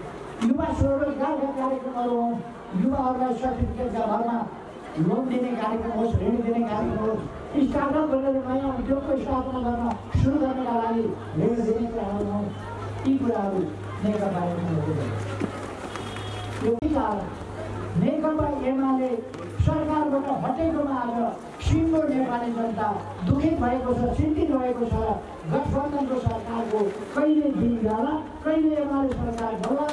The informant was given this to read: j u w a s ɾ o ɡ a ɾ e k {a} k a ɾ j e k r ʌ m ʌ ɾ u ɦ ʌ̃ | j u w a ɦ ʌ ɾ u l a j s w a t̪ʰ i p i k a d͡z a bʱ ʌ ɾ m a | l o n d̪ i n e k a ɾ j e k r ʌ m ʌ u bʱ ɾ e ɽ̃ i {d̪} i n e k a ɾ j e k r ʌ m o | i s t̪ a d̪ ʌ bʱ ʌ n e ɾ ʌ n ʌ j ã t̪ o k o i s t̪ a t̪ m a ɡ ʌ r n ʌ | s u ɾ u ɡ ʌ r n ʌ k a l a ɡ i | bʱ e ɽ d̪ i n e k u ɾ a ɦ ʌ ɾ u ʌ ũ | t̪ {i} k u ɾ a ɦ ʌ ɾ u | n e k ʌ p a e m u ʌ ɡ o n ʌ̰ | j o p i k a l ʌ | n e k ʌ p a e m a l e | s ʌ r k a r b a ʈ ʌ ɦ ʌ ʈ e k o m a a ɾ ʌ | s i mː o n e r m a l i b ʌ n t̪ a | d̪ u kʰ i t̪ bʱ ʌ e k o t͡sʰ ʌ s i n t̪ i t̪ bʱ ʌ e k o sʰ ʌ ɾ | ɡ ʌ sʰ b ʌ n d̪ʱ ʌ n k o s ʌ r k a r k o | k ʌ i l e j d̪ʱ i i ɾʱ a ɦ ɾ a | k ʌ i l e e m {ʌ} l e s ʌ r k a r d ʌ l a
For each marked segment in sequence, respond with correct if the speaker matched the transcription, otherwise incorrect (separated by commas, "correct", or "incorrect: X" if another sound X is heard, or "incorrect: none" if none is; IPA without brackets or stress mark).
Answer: correct, correct, correct, incorrect: a